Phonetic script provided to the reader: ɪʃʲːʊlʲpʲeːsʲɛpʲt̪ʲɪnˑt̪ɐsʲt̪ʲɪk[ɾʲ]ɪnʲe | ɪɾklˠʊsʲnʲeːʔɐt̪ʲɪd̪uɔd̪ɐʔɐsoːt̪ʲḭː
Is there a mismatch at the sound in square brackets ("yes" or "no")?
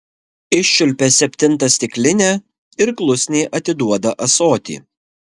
yes